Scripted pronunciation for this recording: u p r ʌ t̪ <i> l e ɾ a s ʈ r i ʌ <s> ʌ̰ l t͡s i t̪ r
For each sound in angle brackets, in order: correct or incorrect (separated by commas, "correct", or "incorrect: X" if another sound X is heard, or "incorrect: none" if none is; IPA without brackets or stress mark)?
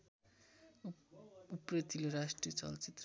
correct, incorrect: t͡s